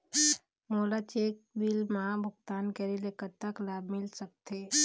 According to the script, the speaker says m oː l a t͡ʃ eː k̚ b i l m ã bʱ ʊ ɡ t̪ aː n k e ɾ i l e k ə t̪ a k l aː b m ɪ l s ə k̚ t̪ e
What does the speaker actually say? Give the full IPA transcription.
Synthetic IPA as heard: m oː l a t͡ʃ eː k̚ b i l m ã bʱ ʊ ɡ t̪ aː n k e ɾ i l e k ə t̪ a k l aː b m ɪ l s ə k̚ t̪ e